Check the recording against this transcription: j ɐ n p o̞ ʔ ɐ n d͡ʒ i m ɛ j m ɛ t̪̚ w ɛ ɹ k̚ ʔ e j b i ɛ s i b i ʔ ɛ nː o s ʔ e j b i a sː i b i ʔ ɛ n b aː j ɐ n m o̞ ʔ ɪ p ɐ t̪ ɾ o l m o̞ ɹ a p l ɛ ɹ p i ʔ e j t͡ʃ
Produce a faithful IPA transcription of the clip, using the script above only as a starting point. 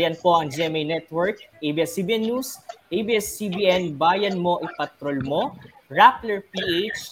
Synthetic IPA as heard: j ɐ n p o̞ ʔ ɐ ŋ d͡ʒ ɛ m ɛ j n ɛ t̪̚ w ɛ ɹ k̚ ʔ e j b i ɛ s i b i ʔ ɛ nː u s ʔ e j b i ɛ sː i b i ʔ ɛ n b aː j ɐ n m o̞ ʔ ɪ p ɐ t̪ ɾ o l m o̞ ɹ a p l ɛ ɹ p i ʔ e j t͡ʃ